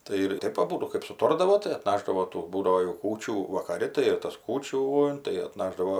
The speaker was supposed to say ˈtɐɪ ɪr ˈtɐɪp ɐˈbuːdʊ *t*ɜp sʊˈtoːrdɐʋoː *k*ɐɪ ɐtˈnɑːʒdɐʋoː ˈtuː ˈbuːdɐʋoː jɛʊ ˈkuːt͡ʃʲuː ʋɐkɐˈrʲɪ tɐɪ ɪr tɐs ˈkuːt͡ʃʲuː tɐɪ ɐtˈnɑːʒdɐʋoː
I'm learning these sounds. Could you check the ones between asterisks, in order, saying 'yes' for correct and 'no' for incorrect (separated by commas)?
no, no